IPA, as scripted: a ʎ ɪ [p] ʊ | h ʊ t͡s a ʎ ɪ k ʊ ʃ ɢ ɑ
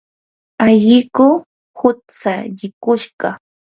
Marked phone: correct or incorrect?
incorrect